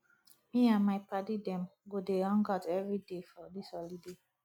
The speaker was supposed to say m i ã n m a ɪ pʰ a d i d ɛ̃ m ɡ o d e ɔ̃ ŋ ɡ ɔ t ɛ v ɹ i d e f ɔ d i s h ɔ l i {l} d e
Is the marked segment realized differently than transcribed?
yes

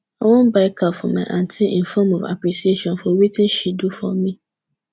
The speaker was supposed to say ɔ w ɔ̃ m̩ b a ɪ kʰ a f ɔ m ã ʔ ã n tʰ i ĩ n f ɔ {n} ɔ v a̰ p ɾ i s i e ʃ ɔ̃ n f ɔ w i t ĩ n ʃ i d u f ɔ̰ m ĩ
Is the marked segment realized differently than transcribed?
yes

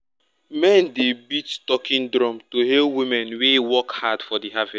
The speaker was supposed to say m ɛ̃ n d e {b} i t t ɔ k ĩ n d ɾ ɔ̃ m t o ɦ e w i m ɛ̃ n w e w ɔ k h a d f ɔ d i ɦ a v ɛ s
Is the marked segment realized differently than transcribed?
no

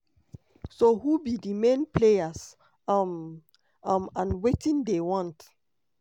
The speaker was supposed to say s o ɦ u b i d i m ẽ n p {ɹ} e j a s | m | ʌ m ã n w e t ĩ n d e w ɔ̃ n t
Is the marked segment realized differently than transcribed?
yes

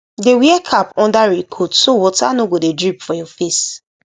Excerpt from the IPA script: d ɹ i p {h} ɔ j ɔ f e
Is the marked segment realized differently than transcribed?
yes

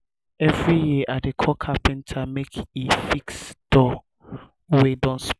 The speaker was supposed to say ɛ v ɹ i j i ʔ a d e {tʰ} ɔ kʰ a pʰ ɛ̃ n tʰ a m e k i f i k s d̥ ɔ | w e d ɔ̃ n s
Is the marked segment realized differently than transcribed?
yes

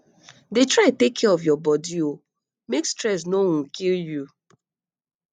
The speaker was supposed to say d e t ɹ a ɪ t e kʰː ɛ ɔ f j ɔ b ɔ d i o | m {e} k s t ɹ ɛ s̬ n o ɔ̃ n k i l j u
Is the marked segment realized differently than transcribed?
no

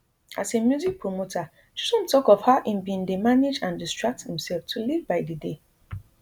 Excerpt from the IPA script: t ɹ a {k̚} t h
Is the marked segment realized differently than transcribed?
no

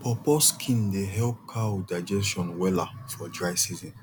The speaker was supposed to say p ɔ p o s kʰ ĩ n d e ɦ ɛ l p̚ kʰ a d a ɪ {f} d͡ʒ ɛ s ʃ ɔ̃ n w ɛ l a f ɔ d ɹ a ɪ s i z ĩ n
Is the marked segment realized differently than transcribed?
yes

